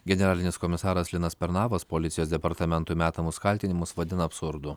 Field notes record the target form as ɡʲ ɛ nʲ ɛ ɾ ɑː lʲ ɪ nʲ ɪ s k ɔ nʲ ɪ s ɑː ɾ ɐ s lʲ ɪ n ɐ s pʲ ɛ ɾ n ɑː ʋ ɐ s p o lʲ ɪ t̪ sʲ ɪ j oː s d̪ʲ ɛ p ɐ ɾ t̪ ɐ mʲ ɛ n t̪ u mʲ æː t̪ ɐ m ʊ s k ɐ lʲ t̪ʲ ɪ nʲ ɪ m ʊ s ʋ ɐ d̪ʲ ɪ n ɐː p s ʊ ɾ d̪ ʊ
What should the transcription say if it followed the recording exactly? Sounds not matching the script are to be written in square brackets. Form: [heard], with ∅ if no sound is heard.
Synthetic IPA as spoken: ɡʲ ɛ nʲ ɛ ɾ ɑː lʲ ɪ nʲ ɪ s k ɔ [mʲ] ɪ s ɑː ɾ ɐ s lʲ ɪ n ɐ s pʲ ɛ ɾ n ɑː ʋ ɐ s p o lʲ ɪ t̪ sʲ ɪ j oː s d̪ʲ ɛ p ɐ ɾ t̪ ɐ mʲ ɛ n t̪ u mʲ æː t̪ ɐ m ʊ s k ɐ lʲ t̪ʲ ɪ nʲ ɪ m ʊ s ʋ ɐ d̪ʲ ɪ n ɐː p s ʊ ɾ d̪ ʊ